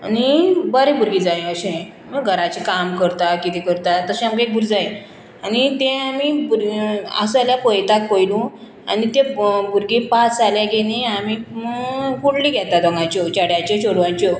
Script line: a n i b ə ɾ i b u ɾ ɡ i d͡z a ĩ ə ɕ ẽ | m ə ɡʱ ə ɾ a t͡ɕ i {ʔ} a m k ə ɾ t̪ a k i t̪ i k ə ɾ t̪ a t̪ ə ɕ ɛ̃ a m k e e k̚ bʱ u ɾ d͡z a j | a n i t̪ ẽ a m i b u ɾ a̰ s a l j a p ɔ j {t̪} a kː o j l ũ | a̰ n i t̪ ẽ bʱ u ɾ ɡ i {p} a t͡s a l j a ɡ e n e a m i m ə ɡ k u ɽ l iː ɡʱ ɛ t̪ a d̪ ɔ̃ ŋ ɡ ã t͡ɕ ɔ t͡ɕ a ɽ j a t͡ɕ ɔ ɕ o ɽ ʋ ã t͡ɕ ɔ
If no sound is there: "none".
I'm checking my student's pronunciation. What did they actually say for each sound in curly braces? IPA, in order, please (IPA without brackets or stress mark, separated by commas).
k, t̪, p